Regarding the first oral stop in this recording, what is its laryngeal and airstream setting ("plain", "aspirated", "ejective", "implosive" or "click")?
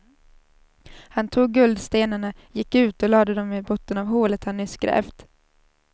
aspirated